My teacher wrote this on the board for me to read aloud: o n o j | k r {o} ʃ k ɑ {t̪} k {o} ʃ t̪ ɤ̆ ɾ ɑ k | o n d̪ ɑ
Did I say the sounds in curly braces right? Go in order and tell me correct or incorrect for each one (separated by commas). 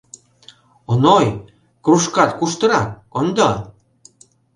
incorrect, correct, incorrect